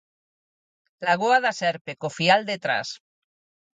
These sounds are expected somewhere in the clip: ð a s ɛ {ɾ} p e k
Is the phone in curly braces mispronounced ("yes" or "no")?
no